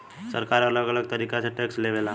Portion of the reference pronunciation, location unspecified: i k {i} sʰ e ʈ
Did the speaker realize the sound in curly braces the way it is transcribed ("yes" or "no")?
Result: no